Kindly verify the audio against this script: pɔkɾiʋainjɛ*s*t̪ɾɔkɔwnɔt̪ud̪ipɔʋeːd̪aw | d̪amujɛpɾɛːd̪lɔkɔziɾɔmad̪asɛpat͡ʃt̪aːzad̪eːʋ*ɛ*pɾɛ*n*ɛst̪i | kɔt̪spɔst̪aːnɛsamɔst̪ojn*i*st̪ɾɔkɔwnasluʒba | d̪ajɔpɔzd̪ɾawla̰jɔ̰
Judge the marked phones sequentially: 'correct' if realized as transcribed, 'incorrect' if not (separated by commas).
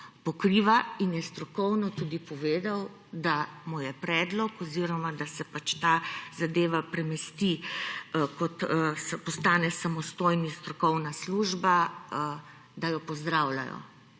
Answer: correct, incorrect, incorrect, correct